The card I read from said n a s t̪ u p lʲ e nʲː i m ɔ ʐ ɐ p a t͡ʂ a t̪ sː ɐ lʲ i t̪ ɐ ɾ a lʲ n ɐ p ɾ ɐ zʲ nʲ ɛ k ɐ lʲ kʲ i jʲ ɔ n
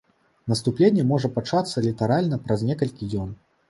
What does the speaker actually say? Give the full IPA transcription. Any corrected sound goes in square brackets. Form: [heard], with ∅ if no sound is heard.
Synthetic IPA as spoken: n [ɐ] s t̪ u p lʲ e nʲː [ɛ] m ɔ ʐ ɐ p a t͡ʂ a t̪ sː ɐ lʲ i t̪ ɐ ɾ a lʲ n ɐ p ɾ ɐ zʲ nʲ ɛ k ɐ lʲ kʲ i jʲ ɔ n